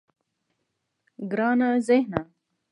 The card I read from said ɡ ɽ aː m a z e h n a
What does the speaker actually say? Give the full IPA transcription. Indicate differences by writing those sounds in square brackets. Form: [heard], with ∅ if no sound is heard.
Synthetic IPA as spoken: ɡ [ɾ] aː [n] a z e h n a